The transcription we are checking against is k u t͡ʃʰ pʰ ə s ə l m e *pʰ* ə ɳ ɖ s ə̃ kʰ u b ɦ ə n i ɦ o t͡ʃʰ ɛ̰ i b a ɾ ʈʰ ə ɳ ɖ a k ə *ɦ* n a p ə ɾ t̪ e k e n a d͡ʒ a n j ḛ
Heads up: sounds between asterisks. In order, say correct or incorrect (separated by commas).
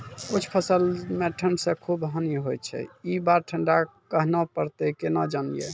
incorrect, correct